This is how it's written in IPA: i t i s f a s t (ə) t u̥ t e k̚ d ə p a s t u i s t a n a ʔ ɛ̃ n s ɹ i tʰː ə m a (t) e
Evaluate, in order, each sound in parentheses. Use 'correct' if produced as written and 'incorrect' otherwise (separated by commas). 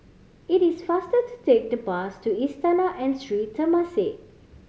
correct, incorrect